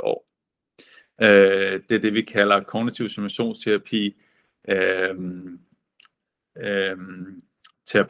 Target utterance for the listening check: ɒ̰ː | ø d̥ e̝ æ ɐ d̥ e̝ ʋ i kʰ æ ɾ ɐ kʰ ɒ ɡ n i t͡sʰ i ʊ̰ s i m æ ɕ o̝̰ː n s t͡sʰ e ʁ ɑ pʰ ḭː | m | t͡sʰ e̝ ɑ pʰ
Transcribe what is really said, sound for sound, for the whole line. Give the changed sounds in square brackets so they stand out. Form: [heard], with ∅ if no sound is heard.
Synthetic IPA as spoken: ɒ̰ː | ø d̥ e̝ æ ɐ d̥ e̝ ʋ i kʰ æ [l] ɐ kʰ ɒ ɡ n i t͡sʰ i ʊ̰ s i m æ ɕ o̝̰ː n s t͡sʰ e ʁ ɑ pʰ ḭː | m | t͡sʰ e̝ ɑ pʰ